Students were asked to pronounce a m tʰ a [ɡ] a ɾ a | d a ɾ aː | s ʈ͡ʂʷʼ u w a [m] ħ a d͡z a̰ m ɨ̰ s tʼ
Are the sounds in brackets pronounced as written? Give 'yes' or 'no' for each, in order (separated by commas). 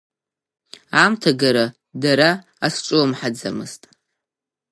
yes, yes